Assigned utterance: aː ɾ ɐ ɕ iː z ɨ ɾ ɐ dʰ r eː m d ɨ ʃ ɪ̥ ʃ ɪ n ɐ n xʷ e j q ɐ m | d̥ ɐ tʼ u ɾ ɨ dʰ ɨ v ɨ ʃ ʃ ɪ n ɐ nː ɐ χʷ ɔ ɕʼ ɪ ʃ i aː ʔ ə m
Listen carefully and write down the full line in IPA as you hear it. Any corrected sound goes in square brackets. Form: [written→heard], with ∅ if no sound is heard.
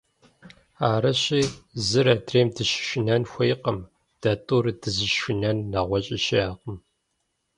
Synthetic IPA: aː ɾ ɐ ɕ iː z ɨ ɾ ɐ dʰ r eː m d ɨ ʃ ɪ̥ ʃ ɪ n ɐ n xʷ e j q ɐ m | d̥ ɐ tʼ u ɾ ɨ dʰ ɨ [v→z] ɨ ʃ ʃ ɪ n ɐ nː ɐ [χʷ→ʁʷ] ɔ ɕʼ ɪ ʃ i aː [ʔ→q] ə m

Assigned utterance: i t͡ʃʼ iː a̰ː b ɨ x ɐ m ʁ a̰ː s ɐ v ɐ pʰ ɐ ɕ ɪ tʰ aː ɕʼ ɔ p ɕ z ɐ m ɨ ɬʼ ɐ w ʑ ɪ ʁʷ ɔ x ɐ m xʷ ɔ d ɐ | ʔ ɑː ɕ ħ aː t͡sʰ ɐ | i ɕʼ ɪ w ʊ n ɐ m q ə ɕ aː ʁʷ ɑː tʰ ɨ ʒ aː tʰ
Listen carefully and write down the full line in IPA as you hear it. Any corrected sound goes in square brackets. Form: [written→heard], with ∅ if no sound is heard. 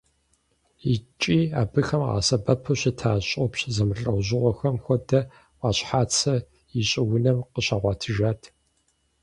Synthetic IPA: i t͡ʃʼ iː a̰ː b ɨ x ɐ m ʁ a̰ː s ɐ [v→b] ɐ pʰ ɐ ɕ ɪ tʰ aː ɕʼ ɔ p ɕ z ɐ m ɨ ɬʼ ɐ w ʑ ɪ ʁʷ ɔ x ɐ m xʷ ɔ d ɐ | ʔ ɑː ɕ ħ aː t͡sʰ ɐ | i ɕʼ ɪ w ʊ n ɐ m q ə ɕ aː ʁʷ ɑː tʰ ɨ ʒ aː tʰ

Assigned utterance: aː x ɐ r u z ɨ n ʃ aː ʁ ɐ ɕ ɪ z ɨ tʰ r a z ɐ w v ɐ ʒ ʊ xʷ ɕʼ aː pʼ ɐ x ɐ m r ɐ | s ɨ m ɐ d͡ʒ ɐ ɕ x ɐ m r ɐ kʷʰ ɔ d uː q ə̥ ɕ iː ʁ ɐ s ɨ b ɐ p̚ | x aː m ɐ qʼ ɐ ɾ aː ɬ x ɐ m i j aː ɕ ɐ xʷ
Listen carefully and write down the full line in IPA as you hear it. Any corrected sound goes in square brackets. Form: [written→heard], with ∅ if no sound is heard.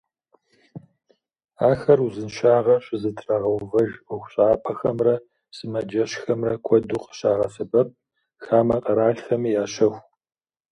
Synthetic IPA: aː x ɐ r u z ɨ n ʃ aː ʁ ɐ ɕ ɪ z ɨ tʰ r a [z→ʁ] ɐ w v ɐ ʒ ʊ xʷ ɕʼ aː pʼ ɐ x ɐ m r ɐ | s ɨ m ɐ d͡ʒ ɐ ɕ x ɐ m r ɐ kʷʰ ɔ d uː q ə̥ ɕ [iː→aː] ʁ ɐ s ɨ b ɐ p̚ | x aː m ɐ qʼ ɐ ɾ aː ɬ x ɐ m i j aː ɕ ɐ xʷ

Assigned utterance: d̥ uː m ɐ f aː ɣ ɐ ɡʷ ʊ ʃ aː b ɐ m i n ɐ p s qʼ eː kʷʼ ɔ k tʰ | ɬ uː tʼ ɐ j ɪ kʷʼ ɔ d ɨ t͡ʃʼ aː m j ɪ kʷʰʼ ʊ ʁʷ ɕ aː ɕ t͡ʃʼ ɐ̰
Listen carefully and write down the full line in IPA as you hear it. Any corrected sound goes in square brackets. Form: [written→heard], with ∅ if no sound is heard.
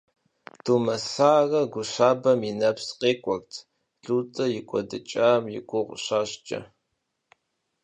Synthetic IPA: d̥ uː m ɐ [f→s] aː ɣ ɐ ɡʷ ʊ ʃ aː b ɐ m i n ɐ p s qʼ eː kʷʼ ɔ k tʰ | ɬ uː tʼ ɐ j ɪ kʷʼ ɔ d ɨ t͡ʃʼ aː m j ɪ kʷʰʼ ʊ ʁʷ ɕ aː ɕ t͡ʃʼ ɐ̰

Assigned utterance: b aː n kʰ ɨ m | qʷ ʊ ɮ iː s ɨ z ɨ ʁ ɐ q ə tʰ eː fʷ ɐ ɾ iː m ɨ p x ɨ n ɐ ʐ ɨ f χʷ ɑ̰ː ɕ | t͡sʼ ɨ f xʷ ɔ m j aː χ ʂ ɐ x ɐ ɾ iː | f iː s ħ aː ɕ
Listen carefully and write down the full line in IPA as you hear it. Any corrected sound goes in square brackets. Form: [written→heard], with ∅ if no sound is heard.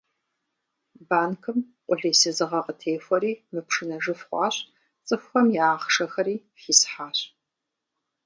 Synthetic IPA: b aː n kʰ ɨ m | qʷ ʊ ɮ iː s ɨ z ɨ ʁ ɐ q ə tʰ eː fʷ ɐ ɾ iː m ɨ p [x→ʂ] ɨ n ɐ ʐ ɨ f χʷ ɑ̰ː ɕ | t͡sʼ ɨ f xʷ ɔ m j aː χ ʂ ɐ x ɐ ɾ iː | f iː s ħ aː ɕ

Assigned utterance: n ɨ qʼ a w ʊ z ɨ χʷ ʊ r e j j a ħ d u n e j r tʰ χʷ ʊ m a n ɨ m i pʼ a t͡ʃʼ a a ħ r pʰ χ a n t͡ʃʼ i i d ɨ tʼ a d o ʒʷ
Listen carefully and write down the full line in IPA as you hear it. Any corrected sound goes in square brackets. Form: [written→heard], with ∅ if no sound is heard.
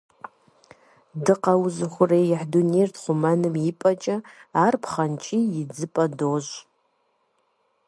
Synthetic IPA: [n→d] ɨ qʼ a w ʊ z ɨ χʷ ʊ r e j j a ħ d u n e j r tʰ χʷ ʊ m a n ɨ m i pʼ a t͡ʃʼ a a [ħ→∅] r pʰ χ a n t͡ʃʼ i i [d→d͡z] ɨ [tʼ→pʼ] a d o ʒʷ

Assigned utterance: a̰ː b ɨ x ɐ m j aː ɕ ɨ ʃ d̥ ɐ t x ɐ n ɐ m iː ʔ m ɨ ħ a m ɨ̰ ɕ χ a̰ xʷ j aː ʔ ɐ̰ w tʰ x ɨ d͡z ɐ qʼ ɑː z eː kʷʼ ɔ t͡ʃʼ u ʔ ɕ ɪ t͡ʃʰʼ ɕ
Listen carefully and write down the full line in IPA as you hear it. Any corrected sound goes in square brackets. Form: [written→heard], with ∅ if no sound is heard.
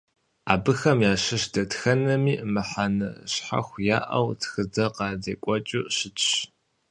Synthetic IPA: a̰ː b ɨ x ɐ m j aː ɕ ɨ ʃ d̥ ɐ t x ɐ n ɐ m iː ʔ m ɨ ħ a [m→n] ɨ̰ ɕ [χ→ħ] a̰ xʷ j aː ʔ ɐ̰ w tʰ x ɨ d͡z ɐ [qʼ→q] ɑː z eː kʷʼ ɔ t͡ʃʼ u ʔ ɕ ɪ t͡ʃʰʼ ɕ

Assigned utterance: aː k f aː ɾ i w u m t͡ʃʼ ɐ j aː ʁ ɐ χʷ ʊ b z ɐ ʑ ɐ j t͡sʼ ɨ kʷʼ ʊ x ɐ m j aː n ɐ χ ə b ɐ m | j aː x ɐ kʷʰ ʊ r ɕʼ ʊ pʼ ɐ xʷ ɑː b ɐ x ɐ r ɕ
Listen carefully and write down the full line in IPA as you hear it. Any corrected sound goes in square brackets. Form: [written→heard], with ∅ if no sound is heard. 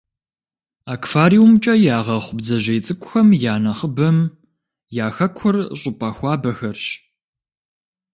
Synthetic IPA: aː k f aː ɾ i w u m t͡ʃʼ ɐ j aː ʁ ɐ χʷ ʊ b z ɐ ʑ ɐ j t͡sʼ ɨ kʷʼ ʊ x ɐ m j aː n ɐ χ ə b ɐ m | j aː x ɐ kʷʰ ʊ r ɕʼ ʊ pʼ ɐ xʷ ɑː b ɐ x ɐ r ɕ

